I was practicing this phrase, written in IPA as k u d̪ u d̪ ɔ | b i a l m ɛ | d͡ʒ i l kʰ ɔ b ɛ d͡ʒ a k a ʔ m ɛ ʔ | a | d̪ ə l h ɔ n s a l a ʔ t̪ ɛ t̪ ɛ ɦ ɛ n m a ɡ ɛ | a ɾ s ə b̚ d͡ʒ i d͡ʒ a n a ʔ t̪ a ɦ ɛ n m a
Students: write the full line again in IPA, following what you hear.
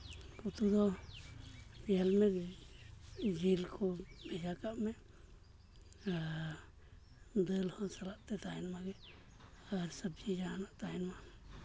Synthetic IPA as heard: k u t̪ u d̪ ɔ | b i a l m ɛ | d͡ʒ i l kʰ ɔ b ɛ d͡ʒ a k a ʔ m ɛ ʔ | a | d̪ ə l h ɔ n s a l a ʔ t̪ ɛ t̪ a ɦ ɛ n m a ɡ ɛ | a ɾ s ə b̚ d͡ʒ i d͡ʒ a n a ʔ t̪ a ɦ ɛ n m a